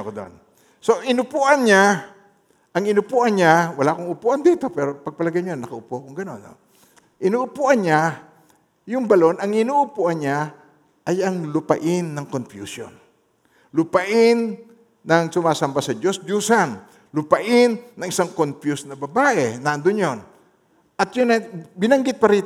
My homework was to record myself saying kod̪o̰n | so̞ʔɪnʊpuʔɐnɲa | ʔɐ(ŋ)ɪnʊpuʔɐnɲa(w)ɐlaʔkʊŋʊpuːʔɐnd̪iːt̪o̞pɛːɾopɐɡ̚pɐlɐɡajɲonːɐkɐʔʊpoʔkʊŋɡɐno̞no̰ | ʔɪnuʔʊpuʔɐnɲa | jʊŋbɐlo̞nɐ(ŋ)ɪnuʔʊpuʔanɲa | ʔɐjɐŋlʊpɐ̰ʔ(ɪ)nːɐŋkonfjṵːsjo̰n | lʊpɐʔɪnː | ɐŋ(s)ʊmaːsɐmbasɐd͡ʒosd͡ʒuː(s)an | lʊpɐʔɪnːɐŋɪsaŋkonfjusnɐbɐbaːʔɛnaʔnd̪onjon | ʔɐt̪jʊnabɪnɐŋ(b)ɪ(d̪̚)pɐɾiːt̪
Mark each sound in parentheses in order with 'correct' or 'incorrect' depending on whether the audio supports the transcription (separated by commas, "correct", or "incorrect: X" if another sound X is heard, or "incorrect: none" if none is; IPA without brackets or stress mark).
correct, correct, correct, correct, correct, correct, incorrect: ɡ, incorrect: t̪̚